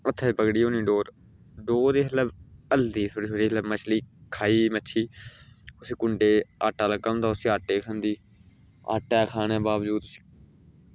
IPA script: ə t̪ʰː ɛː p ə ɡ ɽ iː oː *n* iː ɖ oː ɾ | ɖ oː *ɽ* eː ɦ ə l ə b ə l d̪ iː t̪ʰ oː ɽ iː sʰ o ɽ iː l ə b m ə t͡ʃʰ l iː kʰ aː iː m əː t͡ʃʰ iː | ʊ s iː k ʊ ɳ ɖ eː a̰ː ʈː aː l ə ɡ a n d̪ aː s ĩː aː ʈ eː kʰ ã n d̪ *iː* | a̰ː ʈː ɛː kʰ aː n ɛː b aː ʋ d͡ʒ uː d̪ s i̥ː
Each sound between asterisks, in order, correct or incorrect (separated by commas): correct, incorrect, correct